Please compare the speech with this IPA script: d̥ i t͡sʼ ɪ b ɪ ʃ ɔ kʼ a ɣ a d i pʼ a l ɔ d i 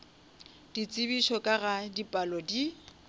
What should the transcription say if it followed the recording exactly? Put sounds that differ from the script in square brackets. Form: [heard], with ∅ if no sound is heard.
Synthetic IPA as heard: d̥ i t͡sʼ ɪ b [i] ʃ ɔ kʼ a ɣ a d i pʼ a l ɔ d i